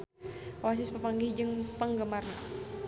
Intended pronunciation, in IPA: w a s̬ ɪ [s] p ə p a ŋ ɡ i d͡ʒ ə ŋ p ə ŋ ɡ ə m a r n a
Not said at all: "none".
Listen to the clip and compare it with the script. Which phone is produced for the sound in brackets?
s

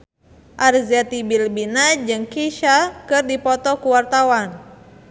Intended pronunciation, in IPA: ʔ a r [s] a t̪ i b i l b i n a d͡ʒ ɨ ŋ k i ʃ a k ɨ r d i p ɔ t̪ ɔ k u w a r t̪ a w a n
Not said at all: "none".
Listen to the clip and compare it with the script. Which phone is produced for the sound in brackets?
z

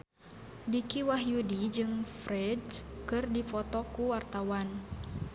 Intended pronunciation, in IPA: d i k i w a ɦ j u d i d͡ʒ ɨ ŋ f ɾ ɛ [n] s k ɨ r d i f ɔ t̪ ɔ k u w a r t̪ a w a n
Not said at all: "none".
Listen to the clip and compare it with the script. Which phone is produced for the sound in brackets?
d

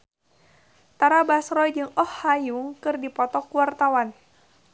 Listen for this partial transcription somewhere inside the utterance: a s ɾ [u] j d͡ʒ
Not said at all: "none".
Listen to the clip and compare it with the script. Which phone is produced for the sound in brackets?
ɔ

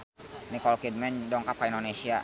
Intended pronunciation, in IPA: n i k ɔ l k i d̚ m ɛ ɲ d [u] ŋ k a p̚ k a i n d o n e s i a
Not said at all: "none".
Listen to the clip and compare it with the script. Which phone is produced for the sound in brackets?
ɔ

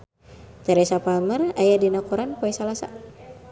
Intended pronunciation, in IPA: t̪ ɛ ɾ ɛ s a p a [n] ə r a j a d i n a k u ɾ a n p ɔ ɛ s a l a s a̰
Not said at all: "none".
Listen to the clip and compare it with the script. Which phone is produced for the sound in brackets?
m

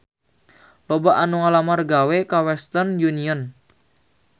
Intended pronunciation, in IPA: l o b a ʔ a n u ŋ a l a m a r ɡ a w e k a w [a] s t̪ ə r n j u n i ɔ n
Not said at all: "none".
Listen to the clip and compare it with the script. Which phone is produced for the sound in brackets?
ɛ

